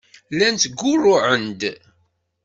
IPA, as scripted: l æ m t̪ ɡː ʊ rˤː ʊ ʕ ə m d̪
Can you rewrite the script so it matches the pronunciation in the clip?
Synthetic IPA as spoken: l æ n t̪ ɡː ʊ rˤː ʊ ʕ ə n d̪